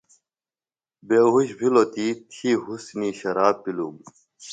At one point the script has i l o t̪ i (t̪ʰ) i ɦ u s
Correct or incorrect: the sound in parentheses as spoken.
correct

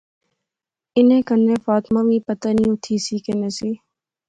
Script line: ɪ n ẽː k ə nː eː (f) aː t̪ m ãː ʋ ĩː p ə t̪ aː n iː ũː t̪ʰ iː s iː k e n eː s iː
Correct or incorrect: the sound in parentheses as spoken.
correct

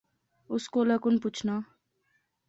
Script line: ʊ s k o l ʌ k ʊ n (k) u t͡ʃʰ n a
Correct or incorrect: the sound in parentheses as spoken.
incorrect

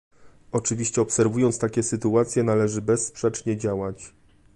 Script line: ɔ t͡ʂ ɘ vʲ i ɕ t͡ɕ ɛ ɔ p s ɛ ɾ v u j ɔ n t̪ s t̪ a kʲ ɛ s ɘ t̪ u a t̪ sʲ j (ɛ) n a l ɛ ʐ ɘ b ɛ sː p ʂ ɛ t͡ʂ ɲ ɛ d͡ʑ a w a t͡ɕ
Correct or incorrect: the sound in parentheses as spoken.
correct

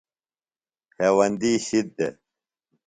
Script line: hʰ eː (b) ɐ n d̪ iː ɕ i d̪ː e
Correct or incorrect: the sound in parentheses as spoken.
incorrect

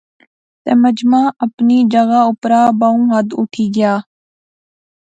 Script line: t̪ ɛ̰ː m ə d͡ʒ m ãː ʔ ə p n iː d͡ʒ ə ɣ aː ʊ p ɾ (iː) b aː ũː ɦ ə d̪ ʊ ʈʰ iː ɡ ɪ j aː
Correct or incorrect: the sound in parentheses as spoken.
incorrect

